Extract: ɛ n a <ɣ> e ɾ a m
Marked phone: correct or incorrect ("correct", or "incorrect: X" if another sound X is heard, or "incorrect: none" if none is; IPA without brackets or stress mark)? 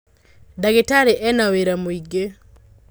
incorrect: w